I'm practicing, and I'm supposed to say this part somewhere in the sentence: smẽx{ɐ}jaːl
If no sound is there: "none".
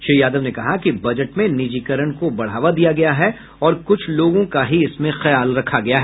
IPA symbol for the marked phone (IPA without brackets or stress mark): ɐ